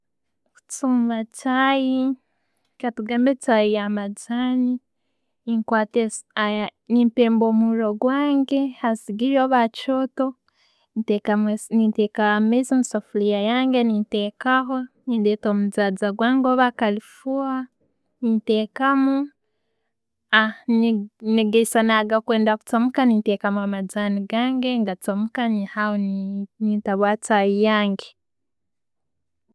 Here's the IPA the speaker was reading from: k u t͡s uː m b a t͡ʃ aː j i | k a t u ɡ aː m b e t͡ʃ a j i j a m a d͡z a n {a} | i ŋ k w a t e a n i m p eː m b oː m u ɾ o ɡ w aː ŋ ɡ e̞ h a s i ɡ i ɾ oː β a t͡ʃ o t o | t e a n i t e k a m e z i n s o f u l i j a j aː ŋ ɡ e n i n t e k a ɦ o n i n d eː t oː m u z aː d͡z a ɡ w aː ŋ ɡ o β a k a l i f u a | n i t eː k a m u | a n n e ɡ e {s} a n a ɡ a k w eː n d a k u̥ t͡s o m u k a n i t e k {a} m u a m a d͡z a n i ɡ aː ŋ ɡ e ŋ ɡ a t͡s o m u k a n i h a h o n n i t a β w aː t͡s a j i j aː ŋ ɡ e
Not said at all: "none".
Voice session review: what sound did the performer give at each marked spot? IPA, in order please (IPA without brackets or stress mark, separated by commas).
i, s, a